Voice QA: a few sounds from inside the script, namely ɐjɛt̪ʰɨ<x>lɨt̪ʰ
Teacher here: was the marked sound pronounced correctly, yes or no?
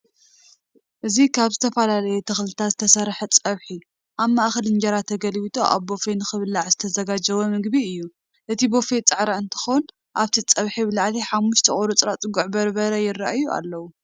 yes